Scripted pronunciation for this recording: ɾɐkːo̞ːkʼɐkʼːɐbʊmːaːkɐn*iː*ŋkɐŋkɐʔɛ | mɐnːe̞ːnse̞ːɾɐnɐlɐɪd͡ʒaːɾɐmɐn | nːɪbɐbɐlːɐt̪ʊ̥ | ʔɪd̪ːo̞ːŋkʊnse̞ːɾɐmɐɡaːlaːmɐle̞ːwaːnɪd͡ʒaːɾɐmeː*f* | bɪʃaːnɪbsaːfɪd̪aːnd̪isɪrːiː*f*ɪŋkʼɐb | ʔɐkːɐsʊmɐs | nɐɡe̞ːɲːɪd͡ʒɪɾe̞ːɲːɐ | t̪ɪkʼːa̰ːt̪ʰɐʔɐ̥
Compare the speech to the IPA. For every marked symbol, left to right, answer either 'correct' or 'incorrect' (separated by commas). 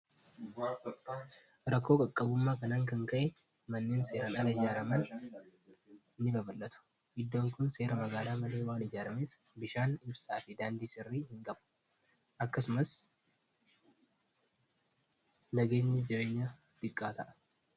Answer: incorrect, correct, incorrect